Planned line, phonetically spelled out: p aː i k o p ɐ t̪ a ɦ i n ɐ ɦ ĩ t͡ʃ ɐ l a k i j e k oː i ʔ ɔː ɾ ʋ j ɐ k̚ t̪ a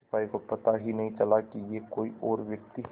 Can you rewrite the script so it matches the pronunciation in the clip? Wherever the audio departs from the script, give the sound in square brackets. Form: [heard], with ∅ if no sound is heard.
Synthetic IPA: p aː i k o p ɐ t̪ a ɦ i n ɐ ɦ ĩ t͡ʃ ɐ l a k i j e k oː i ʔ ɔː ɾ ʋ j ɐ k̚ t̪ [i]